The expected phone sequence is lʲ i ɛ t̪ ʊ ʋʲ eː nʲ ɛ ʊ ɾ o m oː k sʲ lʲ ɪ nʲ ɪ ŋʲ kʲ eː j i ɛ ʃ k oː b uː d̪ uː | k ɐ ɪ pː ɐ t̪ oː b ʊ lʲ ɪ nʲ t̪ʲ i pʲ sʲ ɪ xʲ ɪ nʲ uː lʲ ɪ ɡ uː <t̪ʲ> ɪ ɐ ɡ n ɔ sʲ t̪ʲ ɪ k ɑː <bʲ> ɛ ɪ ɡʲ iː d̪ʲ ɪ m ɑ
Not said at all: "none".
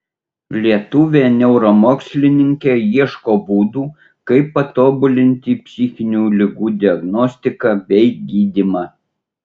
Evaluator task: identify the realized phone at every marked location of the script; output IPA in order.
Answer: d̪ʲ, bʲ

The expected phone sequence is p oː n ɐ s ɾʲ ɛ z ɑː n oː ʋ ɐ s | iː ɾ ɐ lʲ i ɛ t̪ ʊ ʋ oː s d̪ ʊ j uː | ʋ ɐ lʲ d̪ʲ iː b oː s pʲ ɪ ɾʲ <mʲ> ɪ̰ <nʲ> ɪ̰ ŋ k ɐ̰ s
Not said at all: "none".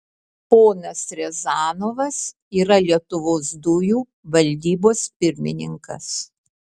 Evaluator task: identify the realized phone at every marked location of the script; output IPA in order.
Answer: mʲ, nʲ

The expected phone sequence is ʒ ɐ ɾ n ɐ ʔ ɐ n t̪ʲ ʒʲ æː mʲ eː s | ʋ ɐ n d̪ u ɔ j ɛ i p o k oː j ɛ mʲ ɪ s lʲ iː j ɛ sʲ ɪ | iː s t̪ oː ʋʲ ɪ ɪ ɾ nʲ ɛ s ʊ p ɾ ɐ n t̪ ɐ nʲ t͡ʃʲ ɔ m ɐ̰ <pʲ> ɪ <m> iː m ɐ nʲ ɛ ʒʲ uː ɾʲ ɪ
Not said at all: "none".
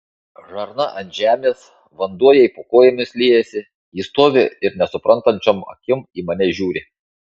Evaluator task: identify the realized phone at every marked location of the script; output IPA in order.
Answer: kʲ, m

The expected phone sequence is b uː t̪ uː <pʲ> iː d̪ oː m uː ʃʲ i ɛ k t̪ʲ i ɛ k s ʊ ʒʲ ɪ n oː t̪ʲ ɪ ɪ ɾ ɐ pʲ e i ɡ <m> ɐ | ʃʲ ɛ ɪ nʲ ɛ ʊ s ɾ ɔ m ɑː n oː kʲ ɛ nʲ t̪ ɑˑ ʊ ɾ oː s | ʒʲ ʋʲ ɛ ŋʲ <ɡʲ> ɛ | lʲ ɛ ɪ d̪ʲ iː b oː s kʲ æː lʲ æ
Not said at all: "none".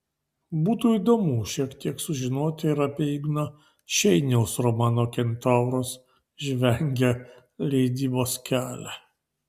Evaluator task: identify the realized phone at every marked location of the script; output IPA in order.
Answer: none, n, ɡʲ

